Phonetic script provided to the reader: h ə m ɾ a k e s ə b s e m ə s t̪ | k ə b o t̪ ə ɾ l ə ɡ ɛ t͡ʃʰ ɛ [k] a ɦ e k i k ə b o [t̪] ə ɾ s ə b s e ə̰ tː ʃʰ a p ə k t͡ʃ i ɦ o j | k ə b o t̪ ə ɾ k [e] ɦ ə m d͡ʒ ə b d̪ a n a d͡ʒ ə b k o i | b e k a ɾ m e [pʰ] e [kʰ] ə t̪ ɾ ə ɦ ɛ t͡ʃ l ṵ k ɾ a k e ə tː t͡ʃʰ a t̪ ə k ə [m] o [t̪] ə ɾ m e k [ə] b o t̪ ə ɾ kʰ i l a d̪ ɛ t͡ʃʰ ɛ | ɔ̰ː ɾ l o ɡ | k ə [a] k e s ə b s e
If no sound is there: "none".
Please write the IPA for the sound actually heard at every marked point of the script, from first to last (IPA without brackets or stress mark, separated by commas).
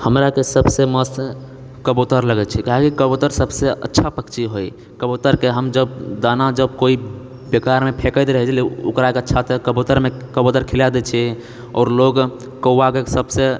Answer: k, t̪, e, pʰ, k, b, t̪, ə, a